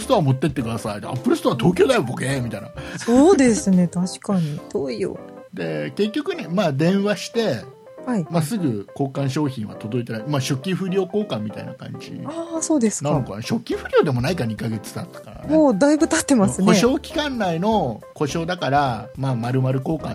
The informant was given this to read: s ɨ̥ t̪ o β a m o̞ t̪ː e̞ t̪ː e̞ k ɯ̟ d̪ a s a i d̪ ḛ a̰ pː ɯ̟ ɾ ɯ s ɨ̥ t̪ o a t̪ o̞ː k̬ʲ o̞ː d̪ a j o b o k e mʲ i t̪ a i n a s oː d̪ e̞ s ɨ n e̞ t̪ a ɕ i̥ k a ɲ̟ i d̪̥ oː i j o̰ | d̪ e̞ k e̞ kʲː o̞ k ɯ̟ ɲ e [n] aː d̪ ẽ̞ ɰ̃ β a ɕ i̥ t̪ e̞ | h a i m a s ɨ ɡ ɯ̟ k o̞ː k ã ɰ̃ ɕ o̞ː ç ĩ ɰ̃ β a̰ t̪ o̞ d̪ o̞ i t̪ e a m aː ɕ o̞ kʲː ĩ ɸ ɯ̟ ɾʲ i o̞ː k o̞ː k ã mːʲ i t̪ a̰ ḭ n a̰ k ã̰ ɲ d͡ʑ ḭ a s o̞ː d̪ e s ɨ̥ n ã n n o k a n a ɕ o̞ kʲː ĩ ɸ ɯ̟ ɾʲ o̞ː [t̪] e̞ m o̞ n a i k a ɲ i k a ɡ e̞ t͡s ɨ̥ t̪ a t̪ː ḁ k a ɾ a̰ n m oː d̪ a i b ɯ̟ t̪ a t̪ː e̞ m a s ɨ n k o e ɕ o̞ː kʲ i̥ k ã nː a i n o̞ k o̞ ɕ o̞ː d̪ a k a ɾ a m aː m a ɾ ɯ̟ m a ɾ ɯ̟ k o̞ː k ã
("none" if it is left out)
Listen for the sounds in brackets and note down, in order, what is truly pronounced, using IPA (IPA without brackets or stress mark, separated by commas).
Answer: m, d̪